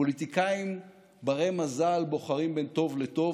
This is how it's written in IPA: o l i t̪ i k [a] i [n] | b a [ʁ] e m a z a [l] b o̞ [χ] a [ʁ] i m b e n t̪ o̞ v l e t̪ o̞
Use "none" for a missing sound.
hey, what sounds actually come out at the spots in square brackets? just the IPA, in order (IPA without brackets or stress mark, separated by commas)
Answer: a, m, ʁ, l, χ, ʁ